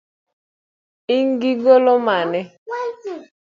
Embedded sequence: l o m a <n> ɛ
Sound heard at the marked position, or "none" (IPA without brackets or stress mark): n